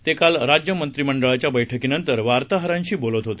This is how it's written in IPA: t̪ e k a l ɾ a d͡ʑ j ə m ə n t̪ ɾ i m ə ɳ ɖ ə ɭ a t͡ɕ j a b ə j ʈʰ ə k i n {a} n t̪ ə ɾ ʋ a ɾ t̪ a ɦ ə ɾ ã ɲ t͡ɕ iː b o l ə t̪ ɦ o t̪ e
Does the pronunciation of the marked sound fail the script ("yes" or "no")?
yes